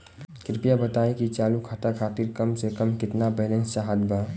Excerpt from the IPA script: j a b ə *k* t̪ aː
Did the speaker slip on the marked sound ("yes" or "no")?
yes